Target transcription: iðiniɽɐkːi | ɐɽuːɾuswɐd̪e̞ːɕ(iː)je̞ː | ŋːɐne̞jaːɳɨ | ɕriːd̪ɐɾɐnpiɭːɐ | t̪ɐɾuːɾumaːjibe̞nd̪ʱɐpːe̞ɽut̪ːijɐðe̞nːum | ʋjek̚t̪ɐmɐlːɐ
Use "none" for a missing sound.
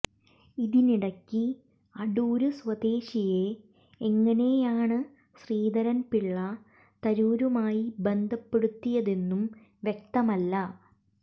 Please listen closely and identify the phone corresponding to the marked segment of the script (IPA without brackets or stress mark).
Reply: i